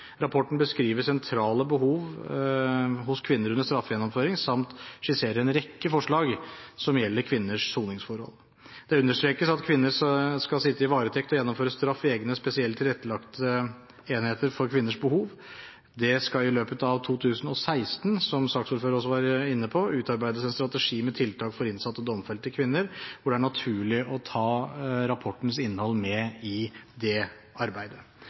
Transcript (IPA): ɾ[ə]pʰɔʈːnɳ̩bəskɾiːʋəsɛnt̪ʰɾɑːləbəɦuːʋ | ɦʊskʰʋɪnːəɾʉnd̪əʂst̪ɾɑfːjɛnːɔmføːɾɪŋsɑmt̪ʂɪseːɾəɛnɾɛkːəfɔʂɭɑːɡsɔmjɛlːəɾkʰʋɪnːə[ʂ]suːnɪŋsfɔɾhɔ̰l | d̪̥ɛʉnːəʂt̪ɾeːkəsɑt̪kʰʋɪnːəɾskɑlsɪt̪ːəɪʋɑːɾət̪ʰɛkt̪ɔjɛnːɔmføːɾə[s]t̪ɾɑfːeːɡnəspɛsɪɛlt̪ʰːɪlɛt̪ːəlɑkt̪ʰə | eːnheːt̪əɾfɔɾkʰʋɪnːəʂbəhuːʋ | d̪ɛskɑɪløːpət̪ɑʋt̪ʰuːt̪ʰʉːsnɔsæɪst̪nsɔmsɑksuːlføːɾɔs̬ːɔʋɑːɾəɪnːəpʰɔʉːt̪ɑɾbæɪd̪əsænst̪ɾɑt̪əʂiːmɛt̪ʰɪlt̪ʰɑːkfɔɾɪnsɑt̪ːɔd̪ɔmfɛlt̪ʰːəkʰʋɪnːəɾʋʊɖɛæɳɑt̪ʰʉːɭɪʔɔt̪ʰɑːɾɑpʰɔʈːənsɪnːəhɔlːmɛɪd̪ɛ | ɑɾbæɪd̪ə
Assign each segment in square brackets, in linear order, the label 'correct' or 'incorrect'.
incorrect: ɑ, correct, correct

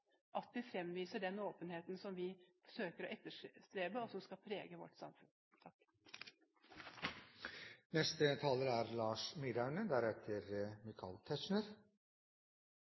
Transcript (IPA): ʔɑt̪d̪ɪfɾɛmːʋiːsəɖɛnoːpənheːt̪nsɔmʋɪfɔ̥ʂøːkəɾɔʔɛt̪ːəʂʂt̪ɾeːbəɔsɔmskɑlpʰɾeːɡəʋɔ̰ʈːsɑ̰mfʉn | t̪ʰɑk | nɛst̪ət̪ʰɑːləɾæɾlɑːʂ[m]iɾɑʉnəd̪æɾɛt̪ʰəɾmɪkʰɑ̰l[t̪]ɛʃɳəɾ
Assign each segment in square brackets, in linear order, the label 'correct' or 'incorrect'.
correct, incorrect: t̪ʰ

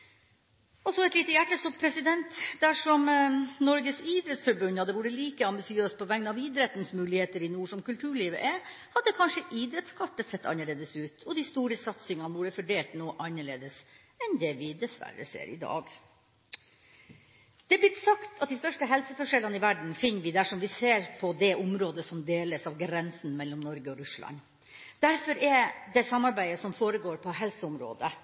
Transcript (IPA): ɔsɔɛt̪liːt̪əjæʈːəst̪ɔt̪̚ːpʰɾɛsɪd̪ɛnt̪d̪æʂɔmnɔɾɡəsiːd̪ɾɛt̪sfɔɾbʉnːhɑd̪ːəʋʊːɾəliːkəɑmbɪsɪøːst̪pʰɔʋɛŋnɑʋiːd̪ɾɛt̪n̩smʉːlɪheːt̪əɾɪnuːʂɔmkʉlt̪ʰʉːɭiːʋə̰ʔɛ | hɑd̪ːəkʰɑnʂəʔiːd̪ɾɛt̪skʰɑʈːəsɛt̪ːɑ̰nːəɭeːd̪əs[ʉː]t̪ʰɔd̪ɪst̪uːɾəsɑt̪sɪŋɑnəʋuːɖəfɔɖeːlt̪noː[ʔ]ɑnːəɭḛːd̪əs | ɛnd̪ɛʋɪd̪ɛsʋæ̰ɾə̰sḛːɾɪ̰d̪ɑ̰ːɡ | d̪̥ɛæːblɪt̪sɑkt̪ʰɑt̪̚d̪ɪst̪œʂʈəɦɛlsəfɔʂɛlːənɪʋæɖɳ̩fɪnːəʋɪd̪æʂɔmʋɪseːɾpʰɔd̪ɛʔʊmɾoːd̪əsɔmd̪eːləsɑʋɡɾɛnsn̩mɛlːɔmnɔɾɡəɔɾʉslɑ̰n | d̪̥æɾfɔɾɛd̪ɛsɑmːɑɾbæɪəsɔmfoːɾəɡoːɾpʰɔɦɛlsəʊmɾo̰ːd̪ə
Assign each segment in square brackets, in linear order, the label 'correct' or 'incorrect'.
correct, correct

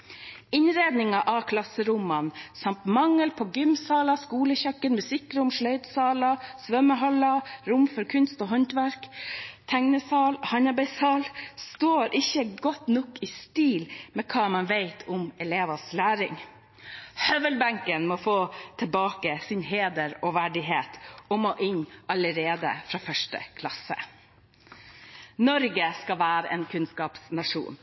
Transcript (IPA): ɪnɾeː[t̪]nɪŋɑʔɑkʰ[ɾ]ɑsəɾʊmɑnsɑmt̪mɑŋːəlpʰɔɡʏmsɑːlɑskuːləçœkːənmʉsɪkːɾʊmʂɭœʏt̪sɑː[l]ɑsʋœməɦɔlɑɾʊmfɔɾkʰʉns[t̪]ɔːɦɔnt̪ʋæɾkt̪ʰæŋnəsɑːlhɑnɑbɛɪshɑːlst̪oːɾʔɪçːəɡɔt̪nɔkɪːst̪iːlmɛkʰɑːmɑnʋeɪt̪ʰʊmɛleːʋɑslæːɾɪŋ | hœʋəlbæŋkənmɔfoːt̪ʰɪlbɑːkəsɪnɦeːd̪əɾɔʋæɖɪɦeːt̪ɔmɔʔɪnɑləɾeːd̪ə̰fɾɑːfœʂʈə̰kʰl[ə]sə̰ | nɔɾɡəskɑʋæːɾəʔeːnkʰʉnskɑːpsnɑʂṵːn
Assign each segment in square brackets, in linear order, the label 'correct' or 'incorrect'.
incorrect: d̪, incorrect: l, correct, correct, incorrect: ɑ

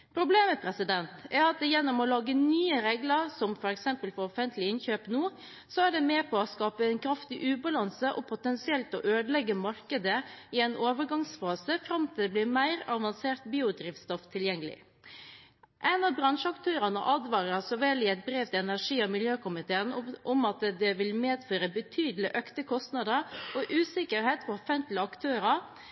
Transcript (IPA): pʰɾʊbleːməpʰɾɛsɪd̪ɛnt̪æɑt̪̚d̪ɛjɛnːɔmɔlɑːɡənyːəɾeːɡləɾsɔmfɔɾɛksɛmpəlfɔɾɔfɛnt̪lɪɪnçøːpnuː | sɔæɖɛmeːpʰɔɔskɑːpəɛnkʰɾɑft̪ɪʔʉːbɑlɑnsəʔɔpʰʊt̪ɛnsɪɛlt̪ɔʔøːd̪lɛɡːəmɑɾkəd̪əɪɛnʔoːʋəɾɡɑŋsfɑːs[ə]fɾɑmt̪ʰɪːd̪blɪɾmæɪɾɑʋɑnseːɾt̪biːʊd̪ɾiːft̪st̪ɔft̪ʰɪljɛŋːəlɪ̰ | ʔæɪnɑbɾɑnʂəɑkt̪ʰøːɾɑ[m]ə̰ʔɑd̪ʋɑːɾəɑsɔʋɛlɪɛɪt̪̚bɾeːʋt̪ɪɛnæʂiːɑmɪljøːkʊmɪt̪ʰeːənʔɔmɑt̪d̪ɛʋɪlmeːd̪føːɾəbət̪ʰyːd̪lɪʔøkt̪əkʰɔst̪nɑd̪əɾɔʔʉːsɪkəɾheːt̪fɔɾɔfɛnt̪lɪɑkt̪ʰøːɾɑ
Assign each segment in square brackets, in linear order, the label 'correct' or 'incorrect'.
correct, incorrect: n

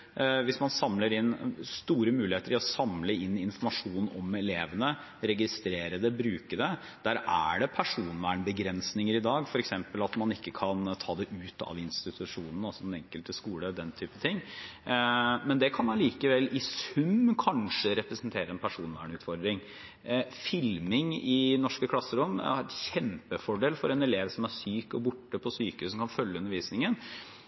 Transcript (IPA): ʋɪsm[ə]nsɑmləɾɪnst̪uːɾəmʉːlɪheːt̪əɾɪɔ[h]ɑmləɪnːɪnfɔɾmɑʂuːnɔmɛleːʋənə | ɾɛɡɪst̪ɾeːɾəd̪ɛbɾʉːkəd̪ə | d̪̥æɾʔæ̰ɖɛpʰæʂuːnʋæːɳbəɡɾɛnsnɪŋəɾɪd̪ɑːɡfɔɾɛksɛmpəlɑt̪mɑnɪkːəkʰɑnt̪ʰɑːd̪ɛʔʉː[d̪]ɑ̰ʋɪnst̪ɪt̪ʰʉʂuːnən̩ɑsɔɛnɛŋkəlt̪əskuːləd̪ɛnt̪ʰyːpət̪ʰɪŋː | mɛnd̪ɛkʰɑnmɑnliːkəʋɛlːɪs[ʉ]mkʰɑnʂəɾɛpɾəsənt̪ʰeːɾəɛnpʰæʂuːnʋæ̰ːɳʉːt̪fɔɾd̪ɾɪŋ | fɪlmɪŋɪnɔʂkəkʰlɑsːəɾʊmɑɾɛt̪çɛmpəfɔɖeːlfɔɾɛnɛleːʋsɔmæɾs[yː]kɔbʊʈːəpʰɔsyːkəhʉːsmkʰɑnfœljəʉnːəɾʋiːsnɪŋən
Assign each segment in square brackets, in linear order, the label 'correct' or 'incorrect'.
incorrect: ɑ, incorrect: s, incorrect: t̪, correct, correct

